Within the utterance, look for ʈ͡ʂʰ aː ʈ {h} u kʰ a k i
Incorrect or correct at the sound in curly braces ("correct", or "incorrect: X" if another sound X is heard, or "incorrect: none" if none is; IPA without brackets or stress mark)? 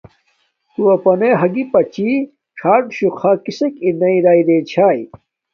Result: incorrect: ɕ